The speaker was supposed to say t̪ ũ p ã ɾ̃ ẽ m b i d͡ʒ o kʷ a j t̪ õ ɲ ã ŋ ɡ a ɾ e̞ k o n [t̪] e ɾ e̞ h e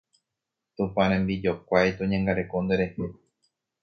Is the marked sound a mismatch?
yes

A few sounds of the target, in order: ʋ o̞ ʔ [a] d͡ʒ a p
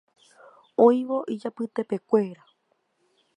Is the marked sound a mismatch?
yes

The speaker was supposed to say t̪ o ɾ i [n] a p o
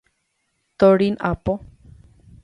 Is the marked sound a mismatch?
no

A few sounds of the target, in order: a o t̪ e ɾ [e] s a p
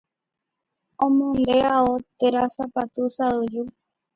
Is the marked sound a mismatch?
yes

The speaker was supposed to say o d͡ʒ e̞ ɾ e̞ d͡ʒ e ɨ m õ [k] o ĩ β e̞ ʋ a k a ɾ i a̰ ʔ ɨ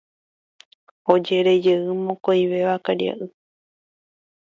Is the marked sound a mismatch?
no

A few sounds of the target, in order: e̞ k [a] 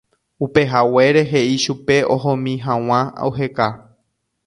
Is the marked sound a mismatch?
no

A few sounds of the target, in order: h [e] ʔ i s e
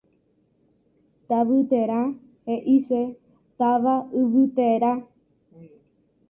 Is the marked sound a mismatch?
no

